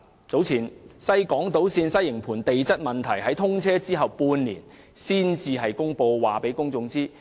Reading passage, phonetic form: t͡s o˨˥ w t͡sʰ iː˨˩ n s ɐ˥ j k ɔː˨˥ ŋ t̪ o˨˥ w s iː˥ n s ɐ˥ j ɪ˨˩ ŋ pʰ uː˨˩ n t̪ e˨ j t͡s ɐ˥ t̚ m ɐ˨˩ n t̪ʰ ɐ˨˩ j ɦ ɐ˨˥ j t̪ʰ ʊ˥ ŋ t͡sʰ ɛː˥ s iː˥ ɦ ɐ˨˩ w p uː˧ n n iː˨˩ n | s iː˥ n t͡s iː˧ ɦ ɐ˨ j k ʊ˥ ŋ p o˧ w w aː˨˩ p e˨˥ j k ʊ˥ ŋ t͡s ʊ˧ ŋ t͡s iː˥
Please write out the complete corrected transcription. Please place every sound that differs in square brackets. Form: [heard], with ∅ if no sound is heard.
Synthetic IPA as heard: t͡s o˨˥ w t͡sʰ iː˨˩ n s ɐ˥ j k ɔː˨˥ ŋ t̪ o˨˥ w s [iː˧] n s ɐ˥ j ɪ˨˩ ŋ pʰ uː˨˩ n t̪ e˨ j t͡s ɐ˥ t̚ m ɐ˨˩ n t̪ʰ ɐ˨˩ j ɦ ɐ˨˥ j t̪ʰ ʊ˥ ŋ t͡sʰ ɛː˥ [t͡s] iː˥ ɦ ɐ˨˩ w p uː˧ n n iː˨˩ n | s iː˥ n t͡s iː˧ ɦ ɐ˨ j k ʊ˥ ŋ p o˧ w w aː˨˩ p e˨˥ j k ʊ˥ ŋ t͡s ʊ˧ ŋ t͡s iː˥